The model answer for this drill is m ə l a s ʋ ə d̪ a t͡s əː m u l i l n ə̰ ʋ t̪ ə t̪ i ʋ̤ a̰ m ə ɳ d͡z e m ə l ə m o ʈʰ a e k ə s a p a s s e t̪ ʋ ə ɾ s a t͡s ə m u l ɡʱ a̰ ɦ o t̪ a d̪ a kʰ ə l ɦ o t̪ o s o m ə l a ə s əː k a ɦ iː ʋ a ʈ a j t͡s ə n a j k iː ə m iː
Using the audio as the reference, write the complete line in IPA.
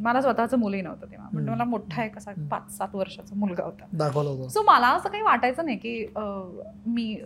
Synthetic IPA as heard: m ə l a s ʋ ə t̪ a t͡s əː m u l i n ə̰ ʋ t̪ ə t̪ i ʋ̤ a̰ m ə ɳ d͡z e m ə l a m o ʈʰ a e k ə s a p a t͡s s a t̪ ʋ ə ɾ ʂ a t͡s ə m u l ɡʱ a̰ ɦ o t̪ a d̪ a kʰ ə l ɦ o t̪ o s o m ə l a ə s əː k a ɦ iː ʋ a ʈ a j t͡s ə n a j k iː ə m iː